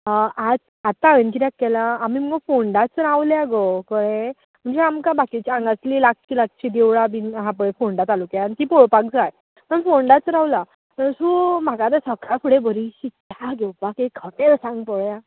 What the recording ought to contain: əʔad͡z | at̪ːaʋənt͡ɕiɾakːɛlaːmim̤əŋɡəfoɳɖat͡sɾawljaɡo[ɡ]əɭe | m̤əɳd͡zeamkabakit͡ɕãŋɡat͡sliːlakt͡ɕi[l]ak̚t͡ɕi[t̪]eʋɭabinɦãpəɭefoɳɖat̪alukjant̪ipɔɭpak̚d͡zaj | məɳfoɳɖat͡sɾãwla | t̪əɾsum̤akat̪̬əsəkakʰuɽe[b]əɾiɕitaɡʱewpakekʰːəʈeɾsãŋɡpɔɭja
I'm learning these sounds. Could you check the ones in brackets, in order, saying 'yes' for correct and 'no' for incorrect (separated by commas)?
no, yes, no, yes